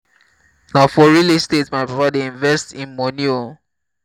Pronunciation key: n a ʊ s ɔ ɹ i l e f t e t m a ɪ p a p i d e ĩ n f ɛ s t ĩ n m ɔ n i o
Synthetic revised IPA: n a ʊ f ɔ ɹ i l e s t e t m a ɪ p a p a d e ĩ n v ɛ s t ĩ n m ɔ n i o